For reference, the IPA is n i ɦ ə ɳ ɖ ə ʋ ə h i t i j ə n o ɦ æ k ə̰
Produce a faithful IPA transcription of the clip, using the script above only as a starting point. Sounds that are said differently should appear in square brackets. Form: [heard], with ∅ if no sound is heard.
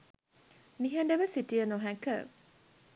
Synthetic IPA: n i ɦ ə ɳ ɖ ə ʋ ə [s] i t i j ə n o ɦ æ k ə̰